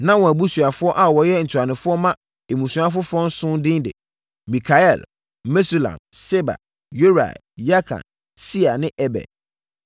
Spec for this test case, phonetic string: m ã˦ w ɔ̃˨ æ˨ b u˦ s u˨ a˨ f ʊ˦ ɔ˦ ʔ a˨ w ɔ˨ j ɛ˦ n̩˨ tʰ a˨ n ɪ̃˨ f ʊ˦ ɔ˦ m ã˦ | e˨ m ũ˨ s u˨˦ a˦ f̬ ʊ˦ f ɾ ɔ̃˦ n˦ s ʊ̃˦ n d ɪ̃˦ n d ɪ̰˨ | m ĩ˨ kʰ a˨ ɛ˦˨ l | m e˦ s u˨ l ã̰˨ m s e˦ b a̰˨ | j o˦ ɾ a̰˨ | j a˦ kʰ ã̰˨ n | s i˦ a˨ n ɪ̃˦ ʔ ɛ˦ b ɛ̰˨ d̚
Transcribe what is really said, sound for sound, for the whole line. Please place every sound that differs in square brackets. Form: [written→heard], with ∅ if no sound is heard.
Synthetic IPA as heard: [m→n] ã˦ w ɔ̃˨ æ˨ b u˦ s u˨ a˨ f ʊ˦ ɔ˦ ʔ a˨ w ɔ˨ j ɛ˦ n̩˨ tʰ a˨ n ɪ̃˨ f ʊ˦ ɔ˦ m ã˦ | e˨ m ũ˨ s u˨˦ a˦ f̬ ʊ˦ f ɾ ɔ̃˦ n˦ s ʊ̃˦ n d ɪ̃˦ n d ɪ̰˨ | m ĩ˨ kʰ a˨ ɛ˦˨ l | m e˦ s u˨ l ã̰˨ m s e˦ b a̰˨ | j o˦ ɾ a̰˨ | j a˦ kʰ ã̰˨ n | s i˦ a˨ n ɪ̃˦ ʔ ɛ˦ b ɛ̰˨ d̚

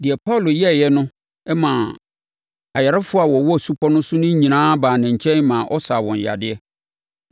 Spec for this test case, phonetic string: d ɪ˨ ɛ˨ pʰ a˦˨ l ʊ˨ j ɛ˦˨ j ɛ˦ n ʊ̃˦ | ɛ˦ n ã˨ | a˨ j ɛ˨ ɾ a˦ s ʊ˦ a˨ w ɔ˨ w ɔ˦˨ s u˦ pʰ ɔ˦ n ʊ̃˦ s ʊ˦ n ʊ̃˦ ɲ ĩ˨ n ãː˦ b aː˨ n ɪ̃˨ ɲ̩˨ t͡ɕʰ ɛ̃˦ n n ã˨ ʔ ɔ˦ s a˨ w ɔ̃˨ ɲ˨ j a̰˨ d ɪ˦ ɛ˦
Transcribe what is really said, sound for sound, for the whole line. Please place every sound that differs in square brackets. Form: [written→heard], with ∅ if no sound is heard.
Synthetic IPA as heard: d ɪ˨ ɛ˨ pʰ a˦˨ l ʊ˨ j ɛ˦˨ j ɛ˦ n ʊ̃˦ | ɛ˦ [n→m] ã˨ | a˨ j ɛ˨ ɾ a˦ [s→f] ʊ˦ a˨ w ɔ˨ w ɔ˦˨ s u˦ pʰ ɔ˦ n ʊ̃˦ s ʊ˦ n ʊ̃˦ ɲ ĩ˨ n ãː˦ b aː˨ n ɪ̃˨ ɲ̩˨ t͡ɕʰ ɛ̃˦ n [n→m] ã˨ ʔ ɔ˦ s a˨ w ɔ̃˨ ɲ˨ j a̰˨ d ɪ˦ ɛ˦

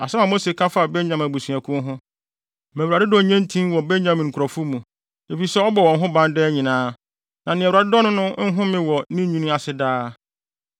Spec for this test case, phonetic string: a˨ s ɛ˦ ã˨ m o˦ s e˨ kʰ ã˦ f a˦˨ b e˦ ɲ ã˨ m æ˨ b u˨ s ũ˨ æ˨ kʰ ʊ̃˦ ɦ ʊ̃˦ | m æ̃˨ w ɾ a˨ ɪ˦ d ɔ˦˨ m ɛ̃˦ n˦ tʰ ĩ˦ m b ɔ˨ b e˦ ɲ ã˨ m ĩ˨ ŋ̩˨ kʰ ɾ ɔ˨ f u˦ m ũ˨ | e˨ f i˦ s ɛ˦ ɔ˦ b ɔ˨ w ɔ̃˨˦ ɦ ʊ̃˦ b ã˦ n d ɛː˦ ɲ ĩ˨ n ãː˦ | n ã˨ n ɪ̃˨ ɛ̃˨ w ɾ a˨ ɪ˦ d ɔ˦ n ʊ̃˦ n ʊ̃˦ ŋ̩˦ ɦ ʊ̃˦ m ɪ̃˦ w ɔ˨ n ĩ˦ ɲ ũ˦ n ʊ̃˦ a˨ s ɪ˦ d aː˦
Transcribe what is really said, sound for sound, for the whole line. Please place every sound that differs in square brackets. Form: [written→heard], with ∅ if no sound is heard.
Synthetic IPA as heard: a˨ s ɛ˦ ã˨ m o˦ s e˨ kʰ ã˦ f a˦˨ b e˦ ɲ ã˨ m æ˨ b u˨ s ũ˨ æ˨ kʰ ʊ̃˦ ɦ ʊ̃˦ | m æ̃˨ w ɾ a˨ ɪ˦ d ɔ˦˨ [m→ɲ] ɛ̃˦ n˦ tʰ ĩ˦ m [b→w] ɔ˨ b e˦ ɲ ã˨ m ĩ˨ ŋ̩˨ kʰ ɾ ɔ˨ f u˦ m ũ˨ | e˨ f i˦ s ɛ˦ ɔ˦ b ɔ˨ w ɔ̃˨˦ ɦ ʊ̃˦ b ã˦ n d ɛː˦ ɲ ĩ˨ n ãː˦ | n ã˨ n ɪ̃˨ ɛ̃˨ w ɾ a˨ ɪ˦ d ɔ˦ n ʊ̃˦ n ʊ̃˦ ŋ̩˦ ɦ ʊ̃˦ m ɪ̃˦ w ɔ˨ n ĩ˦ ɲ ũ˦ n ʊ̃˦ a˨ s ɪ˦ d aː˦

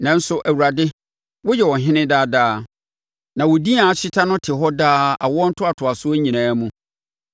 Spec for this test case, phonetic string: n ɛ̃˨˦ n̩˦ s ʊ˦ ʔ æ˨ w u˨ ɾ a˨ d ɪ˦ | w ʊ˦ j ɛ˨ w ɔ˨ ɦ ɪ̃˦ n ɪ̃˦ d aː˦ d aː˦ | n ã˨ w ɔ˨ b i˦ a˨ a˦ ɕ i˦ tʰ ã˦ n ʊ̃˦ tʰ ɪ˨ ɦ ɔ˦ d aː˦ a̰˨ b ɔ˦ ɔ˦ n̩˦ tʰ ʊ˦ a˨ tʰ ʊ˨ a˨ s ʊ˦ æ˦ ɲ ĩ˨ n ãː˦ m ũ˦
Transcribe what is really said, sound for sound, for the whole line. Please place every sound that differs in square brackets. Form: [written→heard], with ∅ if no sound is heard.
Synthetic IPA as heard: n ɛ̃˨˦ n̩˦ s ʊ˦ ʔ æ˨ w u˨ ɾ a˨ d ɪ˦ | w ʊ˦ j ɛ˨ w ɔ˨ ɦ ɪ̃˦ n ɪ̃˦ d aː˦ d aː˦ | n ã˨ w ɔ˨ [b→d] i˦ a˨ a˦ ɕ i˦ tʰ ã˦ n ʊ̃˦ tʰ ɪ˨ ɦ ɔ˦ d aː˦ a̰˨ [b→w] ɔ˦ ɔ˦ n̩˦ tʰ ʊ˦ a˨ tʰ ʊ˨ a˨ s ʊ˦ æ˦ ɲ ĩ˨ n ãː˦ m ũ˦

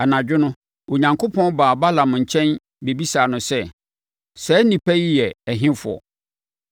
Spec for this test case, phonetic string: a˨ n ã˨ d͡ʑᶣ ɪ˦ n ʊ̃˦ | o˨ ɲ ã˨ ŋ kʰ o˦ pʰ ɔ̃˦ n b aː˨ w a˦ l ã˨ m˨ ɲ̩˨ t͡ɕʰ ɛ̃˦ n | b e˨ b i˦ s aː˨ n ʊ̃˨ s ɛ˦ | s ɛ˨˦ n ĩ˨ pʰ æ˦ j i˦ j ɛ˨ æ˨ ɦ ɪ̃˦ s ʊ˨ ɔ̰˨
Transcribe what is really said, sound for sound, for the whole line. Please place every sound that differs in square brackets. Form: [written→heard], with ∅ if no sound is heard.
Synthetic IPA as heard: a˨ n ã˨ d͡ʑᶣ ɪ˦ n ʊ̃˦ | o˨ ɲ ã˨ ŋ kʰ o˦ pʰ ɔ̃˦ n b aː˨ [w→b] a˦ l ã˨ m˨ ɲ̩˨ t͡ɕʰ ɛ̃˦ n | b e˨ b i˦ s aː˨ n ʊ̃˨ s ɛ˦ | s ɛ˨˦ n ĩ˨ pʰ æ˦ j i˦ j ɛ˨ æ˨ ɦ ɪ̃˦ [s→f] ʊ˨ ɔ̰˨

